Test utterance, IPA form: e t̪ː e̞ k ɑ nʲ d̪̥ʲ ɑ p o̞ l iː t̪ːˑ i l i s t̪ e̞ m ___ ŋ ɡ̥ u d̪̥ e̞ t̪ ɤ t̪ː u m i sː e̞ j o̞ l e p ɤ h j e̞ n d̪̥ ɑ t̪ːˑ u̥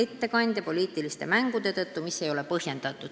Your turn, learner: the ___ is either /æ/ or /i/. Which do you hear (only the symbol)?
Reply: æ